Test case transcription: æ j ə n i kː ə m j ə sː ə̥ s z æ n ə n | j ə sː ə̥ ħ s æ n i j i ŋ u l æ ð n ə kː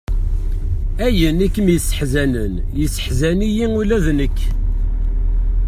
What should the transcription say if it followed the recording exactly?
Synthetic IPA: æ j ə n i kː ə m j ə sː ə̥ ħ z æ n ə n | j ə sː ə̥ ħ z æ n i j i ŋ u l æ ð n ə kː

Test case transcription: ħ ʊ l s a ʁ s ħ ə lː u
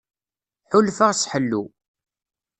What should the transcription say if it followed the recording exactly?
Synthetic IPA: ħ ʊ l f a ʁ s ħ ə lː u

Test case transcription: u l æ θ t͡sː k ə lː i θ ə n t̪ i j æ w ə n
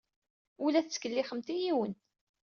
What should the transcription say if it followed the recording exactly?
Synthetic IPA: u l æ θ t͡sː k ə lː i χ ə m t̪ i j i w ə n

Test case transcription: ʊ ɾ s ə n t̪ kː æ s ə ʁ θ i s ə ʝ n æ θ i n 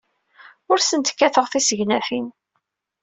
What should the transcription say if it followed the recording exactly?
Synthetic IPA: ʊ ɾ s ə n t̪ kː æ θ ə ʁ θ i s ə ʝ n æ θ i n

